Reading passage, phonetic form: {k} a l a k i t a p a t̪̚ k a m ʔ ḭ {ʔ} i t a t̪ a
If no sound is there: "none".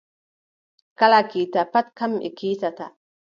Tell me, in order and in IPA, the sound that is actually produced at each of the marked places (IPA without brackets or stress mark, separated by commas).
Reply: k, k